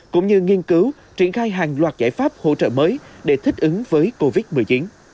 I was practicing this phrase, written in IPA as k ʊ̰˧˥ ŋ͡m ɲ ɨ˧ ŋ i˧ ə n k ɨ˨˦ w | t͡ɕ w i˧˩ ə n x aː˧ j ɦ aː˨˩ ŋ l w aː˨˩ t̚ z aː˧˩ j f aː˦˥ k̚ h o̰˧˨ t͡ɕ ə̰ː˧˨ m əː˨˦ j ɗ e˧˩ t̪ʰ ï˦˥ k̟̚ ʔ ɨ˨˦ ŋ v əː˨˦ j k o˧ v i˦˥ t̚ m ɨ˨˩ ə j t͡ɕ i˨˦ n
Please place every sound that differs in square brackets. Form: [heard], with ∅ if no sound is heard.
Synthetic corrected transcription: k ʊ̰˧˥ ŋ͡m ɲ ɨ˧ ŋ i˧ ə n k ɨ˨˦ w | t͡ɕ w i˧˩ ə n x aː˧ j ɦ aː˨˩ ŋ l w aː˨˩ t̚ z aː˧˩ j f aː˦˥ [p̚] h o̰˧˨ t͡ɕ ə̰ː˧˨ m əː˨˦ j ɗ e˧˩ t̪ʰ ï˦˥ k̟̚ ʔ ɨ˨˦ ŋ v əː˨˦ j k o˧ v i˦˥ t̚ m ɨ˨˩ ə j t͡ɕ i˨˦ n